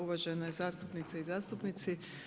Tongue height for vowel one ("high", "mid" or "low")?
high